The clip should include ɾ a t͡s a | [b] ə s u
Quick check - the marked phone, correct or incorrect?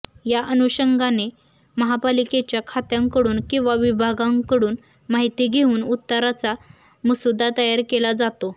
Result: incorrect